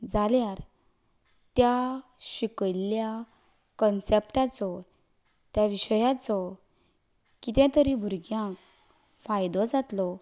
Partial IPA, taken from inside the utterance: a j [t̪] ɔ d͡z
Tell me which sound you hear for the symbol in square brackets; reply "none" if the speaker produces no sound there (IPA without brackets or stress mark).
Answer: d̪